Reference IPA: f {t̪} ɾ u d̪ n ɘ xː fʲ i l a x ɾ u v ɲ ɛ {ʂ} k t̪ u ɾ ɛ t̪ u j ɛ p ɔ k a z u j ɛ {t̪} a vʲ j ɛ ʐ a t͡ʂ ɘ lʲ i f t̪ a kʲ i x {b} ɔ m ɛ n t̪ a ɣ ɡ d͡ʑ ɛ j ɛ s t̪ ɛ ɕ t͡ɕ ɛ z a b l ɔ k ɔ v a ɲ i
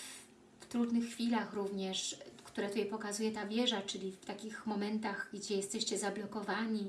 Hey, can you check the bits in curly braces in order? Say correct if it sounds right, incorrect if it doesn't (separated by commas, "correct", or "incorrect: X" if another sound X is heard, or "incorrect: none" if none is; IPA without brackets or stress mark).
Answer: correct, correct, correct, incorrect: m